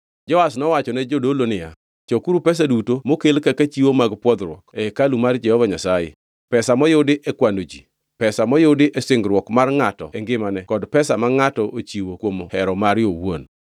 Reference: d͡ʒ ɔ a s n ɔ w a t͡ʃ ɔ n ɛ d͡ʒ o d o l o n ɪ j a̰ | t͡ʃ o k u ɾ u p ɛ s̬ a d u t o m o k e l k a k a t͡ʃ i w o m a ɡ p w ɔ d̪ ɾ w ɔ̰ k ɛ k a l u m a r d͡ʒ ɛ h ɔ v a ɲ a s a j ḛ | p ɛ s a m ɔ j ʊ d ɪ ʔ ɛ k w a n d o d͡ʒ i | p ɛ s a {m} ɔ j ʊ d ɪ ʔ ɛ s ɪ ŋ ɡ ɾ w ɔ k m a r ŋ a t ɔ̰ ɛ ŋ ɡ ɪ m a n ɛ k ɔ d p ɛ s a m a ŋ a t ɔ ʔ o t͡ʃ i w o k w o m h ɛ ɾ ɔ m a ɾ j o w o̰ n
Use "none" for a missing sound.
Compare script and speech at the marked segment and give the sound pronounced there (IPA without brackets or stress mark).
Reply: m